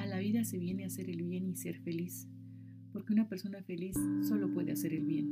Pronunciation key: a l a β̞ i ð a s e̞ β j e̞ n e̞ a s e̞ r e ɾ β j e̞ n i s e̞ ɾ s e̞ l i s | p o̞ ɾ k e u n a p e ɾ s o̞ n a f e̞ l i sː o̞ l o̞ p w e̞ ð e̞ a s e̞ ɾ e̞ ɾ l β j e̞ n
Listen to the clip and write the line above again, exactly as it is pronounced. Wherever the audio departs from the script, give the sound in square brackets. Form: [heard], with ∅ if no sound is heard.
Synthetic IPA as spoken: a l a β̞ i ð a s e̞ β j e̞ n e̞ a s e̞ [ɾ] e [l] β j e̞ n i s e̞ ɾ [f] e̞ l i s | p o̞ ɾ k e u n a p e ɾ s o̞ n a f e̞ l i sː o̞ l o̞ p w e̞ ð e̞ a s e̞ ɾ e̞ [∅] l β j e̞ n